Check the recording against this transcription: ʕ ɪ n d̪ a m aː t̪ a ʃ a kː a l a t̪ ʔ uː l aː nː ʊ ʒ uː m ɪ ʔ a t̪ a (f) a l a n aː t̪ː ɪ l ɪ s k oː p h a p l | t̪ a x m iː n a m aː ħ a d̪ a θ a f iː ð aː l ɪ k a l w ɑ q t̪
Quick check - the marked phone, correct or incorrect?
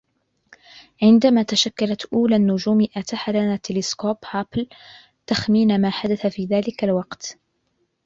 incorrect